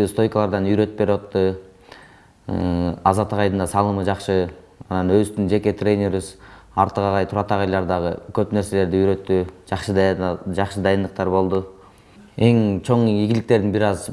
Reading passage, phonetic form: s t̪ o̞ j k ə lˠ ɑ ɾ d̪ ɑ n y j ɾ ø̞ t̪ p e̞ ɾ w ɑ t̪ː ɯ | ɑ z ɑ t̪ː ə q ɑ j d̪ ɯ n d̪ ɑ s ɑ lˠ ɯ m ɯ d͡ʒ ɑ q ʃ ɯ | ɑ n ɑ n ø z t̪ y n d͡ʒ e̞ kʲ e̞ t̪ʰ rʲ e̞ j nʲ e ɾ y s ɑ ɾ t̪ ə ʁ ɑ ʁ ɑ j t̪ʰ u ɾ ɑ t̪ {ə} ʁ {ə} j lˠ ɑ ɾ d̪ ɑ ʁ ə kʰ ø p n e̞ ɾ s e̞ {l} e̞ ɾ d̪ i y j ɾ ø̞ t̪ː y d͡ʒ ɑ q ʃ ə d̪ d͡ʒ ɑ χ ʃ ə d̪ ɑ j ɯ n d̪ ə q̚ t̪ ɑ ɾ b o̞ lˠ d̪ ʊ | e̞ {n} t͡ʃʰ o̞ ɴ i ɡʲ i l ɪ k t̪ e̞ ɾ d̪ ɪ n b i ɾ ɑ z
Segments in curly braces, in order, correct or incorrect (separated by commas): incorrect, incorrect, correct, incorrect